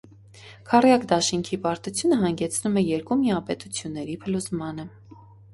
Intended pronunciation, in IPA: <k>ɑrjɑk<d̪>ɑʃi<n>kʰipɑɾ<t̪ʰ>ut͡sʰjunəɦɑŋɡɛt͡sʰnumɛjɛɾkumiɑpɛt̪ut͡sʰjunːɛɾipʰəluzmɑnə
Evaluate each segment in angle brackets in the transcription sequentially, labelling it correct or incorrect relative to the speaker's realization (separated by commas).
incorrect, correct, incorrect, incorrect